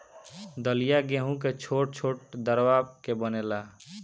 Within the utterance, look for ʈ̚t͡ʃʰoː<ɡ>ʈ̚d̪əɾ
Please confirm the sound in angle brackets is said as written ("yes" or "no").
no